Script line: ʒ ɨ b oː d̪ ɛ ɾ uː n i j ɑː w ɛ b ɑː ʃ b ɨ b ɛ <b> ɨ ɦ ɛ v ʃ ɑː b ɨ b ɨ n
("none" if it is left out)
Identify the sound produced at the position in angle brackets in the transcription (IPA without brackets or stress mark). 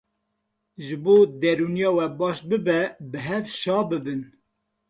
b